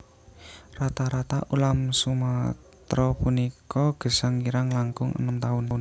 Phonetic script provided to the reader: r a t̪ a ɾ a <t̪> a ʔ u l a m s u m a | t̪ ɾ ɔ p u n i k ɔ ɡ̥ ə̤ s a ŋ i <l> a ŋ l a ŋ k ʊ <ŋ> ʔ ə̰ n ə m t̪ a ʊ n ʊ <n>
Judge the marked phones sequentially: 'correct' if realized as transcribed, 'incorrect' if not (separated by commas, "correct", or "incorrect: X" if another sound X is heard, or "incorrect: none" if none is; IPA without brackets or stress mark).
correct, incorrect: ɾ, correct, correct